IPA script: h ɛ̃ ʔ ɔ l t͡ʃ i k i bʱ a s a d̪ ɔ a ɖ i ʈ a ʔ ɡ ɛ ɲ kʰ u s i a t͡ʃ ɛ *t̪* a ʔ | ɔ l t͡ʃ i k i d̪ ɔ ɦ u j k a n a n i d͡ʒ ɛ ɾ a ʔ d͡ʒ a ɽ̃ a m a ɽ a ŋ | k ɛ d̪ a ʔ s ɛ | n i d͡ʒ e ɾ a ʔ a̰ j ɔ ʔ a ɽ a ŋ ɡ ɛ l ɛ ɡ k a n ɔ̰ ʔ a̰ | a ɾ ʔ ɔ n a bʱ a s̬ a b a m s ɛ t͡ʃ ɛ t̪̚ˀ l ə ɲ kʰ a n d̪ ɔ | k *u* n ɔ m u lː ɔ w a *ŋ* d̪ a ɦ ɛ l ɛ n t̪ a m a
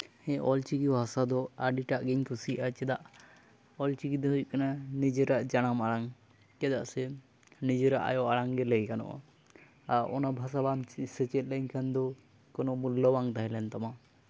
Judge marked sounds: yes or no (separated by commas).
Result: no, no, yes